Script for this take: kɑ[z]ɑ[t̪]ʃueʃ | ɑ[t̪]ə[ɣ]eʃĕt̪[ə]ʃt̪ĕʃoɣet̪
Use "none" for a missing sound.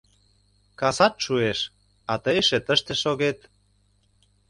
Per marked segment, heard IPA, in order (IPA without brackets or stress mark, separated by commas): s, t̪, t̪, none, ə